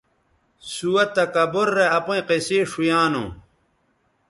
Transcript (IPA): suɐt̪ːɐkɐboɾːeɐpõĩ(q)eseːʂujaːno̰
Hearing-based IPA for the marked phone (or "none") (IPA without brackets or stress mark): q